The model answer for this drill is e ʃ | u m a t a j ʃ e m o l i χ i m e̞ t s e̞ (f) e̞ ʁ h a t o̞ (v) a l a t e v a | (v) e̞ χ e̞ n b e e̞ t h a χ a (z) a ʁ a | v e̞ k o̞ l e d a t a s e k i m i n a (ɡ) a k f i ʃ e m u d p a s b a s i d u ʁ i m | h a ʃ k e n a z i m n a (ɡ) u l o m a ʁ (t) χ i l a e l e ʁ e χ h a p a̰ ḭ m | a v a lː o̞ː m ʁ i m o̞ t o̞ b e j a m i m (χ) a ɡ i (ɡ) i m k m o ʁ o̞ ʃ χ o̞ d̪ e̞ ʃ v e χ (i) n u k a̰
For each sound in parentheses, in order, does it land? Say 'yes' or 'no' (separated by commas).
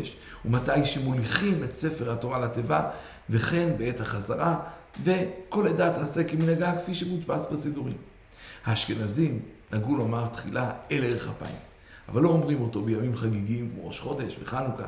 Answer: yes, no, yes, yes, yes, yes, yes, yes, yes, no